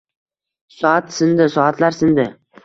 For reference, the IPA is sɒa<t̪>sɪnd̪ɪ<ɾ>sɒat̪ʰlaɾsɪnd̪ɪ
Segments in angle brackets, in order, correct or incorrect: correct, incorrect

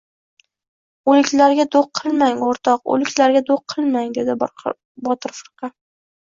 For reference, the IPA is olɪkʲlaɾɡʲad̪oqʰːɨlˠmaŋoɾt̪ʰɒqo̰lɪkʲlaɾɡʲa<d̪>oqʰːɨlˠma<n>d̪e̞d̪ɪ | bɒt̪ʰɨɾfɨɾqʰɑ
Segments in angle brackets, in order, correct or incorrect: correct, incorrect

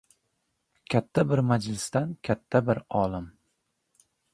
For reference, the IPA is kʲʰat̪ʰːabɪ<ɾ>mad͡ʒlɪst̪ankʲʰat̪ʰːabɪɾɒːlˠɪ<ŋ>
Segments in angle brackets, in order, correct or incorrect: correct, incorrect

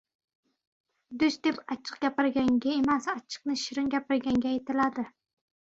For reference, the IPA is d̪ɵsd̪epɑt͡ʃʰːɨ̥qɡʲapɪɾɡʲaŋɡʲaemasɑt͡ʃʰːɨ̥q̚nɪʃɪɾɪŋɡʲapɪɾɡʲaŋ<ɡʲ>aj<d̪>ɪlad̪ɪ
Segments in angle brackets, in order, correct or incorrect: correct, incorrect

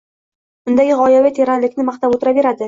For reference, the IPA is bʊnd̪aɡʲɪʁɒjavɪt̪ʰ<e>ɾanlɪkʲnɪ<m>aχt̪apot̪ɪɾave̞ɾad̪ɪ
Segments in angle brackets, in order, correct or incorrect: correct, correct

